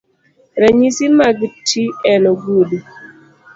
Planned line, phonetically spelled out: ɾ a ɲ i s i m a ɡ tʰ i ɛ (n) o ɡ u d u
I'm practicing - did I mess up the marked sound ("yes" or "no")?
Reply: no